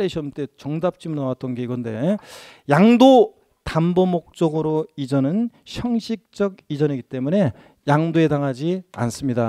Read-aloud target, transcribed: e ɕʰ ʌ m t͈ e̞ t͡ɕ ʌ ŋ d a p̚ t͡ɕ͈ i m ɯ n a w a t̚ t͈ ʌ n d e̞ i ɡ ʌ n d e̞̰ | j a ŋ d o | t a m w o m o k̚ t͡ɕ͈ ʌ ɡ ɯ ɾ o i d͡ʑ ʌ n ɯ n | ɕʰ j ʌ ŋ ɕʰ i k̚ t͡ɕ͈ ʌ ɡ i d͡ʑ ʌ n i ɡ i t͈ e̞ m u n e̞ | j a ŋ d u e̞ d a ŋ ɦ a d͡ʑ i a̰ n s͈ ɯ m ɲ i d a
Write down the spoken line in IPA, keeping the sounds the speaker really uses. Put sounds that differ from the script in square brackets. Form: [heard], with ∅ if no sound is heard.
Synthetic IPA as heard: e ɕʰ ʌ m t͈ e̞ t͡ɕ ʌ ŋ d a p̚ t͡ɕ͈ i m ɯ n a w a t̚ t͈ ʌ n [ɡ] e̞ i ɡ ʌ n d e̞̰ | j a ŋ d o | t a m [b] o m o k̚ t͡ɕ͈ ʌ ɡ ɯ ɾ o i d͡ʑ ʌ n ɯ n | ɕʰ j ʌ ŋ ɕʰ i k̚ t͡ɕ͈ ʌ ɡ i d͡ʑ ʌ n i ɡ i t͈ e̞ m u n e̞ | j a ŋ d [o] e̞ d a ŋ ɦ a d͡ʑ i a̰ n s͈ ɯ m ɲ i d a